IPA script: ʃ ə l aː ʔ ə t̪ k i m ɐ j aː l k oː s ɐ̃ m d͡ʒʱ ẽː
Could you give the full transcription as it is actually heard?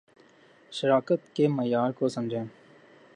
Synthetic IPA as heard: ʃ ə ɾ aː k ə t̪ k e m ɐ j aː ɾ k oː s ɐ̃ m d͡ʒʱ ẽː